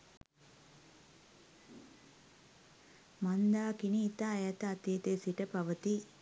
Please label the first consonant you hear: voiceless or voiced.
voiced